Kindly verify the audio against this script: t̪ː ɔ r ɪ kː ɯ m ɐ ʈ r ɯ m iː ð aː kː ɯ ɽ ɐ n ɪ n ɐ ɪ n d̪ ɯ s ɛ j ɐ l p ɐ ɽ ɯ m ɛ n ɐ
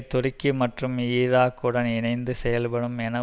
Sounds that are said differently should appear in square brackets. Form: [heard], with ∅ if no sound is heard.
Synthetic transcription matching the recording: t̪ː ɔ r ɪ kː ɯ m ɐ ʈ r ɯ m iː ð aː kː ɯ ɽ ɐ n ɪ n ɐ ɪ n d̪ ɯ s ɛ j ɐ l p ɐ ɽ ɯ m ɛ n ɐ